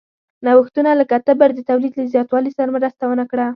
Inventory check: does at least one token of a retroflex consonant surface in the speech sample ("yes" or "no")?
yes